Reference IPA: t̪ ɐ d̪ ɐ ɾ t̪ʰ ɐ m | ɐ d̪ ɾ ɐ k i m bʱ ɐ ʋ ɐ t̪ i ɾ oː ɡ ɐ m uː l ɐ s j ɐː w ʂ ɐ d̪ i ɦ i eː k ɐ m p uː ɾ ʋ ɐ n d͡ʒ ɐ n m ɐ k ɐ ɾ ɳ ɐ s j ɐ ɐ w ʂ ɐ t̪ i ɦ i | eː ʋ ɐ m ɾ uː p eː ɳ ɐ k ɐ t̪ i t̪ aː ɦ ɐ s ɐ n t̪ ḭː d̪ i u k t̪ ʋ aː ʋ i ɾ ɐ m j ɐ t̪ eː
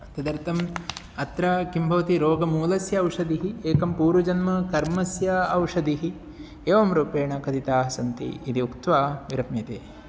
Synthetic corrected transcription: t̪ ɐ d̪ ɐ ɾ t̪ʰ ɐ m | ɐ t̪ ɾ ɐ k i m bʱ ɐ ʋ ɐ t̪ i ɾ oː ɡ ɐ m uː l ɐ s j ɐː w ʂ ɐ d̪ i ɦ i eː k ɐ m p uː ɾ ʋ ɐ d͡ʒ ɐ n m ɐ k ɐ ɾ m ɐ s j ɐ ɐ w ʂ ɐ d̪ i ɦ i | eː ʋ ɐ m ɾ uː p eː ɳ ɐ k ɐ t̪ i t̪ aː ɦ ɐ s ɐ n t̪ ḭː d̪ i u k t̪ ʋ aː ʋ i ɾ ɐ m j ɐ t̪ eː